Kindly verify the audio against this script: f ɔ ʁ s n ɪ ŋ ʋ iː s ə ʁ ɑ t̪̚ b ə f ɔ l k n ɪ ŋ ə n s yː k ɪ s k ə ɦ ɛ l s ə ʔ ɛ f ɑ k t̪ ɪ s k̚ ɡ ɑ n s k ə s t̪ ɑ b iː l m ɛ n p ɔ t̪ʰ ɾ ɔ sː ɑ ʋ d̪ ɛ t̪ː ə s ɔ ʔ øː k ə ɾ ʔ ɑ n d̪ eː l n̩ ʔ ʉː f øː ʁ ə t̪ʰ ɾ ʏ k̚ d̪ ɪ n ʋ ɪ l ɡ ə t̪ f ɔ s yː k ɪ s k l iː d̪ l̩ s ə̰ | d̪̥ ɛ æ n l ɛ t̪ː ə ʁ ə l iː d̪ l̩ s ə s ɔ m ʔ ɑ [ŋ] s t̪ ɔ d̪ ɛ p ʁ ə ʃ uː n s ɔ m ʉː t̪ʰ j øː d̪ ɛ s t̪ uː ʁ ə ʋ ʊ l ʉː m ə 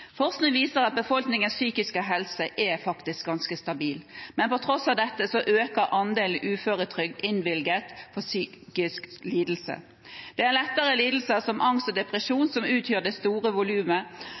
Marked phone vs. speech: correct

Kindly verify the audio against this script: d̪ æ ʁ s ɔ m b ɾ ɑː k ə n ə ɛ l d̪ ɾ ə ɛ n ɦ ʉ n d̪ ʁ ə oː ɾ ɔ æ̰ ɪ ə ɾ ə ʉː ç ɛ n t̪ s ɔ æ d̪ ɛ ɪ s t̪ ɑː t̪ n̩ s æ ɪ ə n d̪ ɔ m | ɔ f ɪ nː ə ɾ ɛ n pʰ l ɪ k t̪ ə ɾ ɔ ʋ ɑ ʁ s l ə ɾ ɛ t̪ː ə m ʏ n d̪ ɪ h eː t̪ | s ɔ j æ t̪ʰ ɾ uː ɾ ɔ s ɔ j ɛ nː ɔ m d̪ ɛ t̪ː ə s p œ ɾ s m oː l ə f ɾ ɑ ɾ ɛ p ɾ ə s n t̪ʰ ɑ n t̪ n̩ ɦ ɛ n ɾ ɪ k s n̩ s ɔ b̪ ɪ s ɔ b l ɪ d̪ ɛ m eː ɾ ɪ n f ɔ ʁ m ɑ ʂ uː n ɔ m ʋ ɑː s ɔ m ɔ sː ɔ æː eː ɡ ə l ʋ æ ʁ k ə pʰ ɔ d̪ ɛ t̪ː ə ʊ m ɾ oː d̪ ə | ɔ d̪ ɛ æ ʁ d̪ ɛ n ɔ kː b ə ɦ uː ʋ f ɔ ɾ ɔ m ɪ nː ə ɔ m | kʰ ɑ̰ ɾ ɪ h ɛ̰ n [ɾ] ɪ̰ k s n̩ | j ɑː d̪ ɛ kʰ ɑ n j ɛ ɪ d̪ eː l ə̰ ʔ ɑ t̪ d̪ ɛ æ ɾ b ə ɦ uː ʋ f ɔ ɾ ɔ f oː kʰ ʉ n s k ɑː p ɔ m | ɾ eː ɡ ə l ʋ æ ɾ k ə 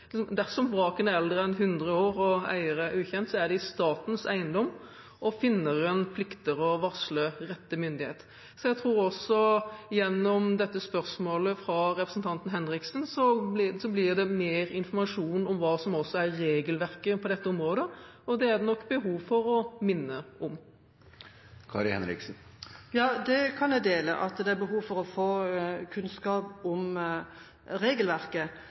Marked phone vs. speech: correct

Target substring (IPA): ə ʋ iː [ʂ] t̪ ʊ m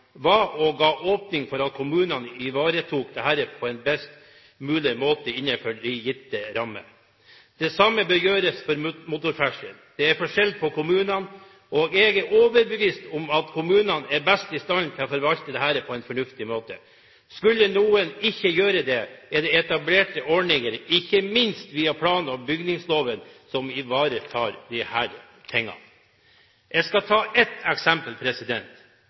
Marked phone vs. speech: incorrect: s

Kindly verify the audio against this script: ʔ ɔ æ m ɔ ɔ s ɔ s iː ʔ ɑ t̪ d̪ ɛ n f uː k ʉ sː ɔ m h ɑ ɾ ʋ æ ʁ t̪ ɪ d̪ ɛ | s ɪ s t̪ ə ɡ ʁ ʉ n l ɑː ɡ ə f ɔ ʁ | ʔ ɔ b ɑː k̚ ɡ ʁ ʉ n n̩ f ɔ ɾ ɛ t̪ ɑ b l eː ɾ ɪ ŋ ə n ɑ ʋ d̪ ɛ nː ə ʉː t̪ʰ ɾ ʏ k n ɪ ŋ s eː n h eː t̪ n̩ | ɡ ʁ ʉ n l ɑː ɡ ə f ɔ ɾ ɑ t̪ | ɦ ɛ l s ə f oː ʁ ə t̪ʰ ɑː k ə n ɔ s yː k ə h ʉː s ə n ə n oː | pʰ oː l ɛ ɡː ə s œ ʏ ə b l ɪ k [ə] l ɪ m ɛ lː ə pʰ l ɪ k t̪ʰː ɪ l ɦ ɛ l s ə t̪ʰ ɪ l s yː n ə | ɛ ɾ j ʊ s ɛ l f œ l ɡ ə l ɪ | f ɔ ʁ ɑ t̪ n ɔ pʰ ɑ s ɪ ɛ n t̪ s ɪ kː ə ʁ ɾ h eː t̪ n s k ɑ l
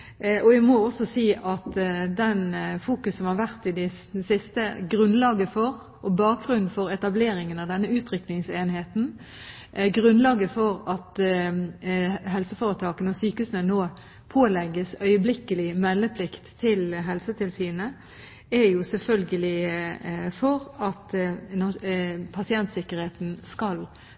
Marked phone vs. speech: correct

